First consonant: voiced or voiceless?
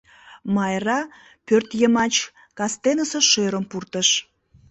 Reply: voiced